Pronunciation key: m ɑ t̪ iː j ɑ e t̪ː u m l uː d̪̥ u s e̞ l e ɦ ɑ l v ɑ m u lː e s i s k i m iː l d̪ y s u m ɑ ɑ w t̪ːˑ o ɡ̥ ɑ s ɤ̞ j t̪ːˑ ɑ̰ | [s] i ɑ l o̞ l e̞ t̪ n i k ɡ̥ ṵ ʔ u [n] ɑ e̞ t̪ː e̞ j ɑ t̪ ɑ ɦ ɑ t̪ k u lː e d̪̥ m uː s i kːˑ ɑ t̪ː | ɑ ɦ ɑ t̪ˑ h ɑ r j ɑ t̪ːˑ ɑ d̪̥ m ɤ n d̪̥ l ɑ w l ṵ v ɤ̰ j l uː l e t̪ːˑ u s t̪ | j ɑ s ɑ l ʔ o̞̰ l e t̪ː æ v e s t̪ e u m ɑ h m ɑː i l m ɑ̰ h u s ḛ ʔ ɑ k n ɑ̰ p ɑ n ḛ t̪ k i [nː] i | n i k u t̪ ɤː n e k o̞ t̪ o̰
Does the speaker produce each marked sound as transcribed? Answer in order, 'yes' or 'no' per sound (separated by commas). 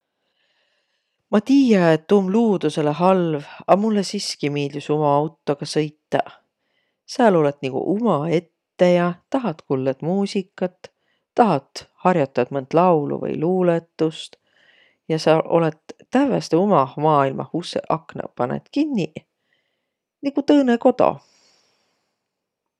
yes, no, yes